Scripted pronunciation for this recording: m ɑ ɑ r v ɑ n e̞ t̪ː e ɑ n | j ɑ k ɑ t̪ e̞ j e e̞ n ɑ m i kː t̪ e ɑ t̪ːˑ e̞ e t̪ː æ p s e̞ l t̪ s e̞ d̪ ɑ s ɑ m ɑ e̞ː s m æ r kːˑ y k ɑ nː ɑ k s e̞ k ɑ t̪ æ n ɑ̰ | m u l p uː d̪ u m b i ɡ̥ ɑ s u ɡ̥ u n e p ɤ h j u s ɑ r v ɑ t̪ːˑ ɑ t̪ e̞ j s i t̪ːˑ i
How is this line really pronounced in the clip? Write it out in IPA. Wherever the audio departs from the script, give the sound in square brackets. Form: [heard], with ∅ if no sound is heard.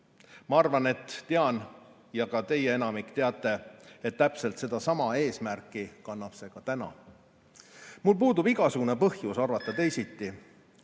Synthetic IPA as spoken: m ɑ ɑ r v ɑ n e̞ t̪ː e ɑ n | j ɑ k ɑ t̪ e̞ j e e̞ n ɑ m i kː t̪ e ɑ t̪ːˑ e̞ e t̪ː æ p s e̞ l t̪ s e̞ d̪ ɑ s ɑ m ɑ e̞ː s m æ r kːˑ [i] k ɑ nː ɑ [p] s e̞ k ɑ t̪ æ n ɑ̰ | m u l p uː d̪ u [∅] b i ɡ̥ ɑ s u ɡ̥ u n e p ɤ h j u s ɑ r v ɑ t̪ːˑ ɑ t̪ e̞ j s i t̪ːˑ i